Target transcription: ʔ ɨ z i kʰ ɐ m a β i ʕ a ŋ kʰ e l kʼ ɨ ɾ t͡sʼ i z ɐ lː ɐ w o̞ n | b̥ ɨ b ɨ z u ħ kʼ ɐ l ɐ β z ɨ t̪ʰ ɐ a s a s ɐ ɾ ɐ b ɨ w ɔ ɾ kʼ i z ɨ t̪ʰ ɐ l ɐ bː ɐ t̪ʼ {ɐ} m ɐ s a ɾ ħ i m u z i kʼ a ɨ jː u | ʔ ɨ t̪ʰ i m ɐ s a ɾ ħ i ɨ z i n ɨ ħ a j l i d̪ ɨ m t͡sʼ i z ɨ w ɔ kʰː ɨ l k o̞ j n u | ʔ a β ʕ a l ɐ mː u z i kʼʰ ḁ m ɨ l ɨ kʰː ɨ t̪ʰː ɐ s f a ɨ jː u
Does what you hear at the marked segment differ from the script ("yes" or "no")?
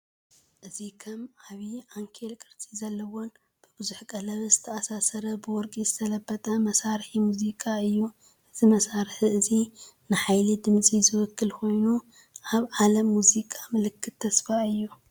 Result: no